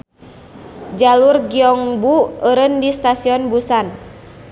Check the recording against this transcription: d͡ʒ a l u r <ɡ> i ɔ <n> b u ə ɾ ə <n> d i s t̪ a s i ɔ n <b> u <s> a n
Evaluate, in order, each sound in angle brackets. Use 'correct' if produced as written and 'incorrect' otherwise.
correct, incorrect: ŋ, correct, correct, correct

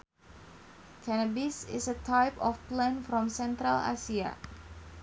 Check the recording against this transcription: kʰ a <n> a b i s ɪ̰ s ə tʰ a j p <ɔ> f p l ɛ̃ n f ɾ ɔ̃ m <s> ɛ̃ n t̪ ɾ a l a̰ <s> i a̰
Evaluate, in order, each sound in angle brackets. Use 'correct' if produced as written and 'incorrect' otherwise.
correct, correct, correct, correct

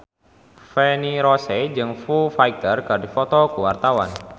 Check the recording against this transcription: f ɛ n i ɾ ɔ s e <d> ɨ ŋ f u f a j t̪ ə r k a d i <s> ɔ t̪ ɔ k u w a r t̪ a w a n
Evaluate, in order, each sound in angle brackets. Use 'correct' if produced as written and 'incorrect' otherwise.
incorrect: d͡ʒ, incorrect: f

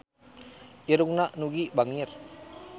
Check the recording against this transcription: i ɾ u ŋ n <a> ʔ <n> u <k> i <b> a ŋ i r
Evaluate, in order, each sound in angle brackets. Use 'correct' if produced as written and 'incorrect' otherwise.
correct, correct, incorrect: ɡ, correct

